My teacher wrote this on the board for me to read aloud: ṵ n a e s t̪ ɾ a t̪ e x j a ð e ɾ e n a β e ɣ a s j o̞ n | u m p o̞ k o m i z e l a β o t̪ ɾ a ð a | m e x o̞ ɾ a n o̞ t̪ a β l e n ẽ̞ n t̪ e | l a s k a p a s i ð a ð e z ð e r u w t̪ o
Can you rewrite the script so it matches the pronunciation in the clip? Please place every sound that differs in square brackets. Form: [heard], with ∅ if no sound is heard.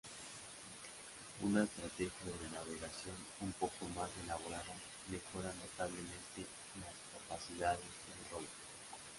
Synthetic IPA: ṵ n a e s t̪ ɾ a t̪ e x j a ð e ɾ e n a β e ɣ a s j o̞ n | u m p o̞ k o m [a] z e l a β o [∅] ɾ a ð a | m e x o̞ ɾ a n o̞ t̪ a β l e [m] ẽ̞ n t̪ e | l a s k a p a s i ð a ð e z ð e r [o] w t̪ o